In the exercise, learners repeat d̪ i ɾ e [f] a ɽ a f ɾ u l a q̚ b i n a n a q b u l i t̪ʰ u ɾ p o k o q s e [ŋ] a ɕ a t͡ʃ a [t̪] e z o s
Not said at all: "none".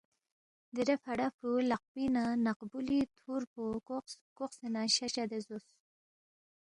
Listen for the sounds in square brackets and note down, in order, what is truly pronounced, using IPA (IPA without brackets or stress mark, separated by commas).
f, n, d̪